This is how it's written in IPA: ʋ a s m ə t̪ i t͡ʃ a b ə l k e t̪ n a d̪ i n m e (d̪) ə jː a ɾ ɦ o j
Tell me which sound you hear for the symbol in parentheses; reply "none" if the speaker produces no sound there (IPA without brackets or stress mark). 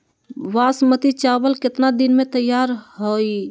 t̪